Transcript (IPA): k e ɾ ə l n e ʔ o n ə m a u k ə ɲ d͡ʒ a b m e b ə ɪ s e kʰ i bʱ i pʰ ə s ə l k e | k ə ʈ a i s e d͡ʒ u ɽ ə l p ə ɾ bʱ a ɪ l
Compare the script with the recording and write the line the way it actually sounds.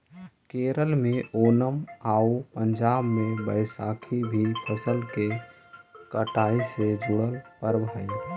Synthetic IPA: k e ɾ ə l m e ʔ o n ə m a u p ə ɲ d͡ʒ a b m e b ə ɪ s a kʰ i bʱ i pʰ ə s ə l k e | k ə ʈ a i s e d͡ʒ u ɽ ə l p ə ɾ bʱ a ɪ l